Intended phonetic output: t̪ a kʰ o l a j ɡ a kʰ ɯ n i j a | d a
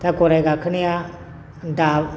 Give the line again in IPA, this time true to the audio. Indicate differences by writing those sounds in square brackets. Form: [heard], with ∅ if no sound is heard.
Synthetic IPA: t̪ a [k] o [ɾ] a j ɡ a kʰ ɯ n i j a | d a